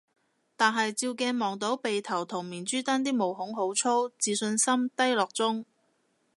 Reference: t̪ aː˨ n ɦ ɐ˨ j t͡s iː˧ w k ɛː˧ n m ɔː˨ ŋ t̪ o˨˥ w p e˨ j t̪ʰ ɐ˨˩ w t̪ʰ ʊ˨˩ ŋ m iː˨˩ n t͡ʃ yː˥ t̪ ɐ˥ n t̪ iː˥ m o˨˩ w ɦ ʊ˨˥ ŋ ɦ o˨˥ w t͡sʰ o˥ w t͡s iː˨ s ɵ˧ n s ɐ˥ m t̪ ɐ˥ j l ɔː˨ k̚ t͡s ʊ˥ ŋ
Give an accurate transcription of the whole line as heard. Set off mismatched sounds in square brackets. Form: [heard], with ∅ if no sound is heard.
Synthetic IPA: t̪ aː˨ n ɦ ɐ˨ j t͡s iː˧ w k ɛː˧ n m ɔː˨ ŋ t̪ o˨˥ w p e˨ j t̪ʰ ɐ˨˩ w t̪ʰ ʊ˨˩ ŋ m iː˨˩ n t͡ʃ yː˥ t̪ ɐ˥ n t̪ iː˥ m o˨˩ w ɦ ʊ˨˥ ŋ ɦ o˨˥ w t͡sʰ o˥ w t͡s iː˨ s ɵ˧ n s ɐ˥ m t̪ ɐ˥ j l ɔː˨ k̚ t͡s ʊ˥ ŋ